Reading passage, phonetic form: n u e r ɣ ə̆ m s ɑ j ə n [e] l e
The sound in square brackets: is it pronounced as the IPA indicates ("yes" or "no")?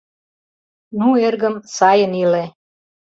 no